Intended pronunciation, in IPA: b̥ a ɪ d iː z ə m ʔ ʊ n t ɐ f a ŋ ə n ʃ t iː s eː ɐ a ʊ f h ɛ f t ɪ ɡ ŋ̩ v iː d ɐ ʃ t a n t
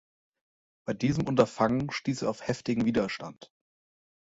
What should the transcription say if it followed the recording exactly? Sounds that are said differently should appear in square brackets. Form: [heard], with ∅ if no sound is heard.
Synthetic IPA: b̥ a ɪ d iː z ə m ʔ ʊ n t ɐ f a ŋ ə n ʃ t iː s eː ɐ a ʊ f h ɛ f t ɪ ɡ ŋ̩ v iː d ɐ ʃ t a n t